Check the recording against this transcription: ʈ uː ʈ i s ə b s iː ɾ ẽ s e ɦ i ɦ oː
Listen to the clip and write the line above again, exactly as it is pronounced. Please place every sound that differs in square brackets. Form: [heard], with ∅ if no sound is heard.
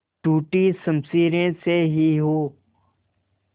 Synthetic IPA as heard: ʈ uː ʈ i s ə [m] s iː ɾ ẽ s e ɦ i ɦ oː